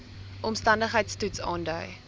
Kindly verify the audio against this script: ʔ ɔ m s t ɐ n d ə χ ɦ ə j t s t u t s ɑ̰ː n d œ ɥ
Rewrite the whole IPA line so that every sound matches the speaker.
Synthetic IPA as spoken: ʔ ɔ m s t ɐ n d ə χ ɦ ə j t s t u t s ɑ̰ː n d œ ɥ